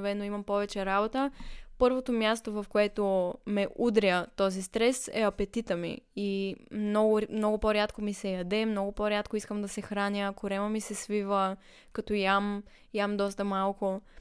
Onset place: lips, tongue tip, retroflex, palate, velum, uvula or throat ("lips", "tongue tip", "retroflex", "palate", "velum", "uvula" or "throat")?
lips